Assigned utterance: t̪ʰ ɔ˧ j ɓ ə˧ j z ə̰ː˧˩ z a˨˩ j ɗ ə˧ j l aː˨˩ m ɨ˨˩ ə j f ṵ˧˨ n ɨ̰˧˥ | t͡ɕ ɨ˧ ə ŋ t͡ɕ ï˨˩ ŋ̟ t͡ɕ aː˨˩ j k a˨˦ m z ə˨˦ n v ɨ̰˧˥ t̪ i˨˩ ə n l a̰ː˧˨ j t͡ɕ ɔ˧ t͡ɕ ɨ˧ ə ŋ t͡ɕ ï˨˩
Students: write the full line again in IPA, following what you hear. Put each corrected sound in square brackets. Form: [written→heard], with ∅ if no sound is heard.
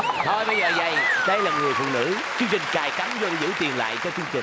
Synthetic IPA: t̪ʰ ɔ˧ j ɓ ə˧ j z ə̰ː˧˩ z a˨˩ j ɗ ə˧ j l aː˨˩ [m→ŋ] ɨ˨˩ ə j f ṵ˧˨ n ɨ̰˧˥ | t͡ɕ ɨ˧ ə ŋ t͡ɕ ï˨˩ ŋ̟ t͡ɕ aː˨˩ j k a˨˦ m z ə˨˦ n [v→z] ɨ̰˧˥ t̪ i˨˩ ə n l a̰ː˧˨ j t͡ɕ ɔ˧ t͡ɕ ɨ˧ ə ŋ t͡ɕ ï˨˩